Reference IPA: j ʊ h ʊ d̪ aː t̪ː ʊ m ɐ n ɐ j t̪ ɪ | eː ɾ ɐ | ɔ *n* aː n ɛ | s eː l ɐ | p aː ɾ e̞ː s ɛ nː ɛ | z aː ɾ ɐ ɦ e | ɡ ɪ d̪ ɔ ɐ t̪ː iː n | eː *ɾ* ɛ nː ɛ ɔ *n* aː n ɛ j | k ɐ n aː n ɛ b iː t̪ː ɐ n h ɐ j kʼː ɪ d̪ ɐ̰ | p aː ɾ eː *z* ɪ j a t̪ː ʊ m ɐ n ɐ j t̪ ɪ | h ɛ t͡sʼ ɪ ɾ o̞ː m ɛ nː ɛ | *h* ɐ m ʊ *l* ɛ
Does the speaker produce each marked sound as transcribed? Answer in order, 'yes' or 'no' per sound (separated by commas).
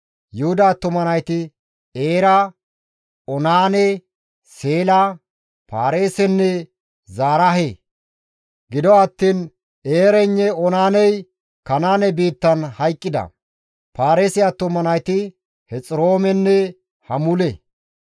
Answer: yes, yes, yes, no, yes, yes